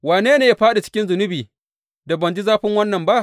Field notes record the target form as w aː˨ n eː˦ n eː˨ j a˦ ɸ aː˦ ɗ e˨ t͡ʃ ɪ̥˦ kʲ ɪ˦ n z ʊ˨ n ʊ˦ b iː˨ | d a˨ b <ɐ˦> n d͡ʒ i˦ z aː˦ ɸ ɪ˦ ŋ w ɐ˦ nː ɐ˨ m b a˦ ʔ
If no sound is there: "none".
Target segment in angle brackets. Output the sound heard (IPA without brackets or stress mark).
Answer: ɐ˨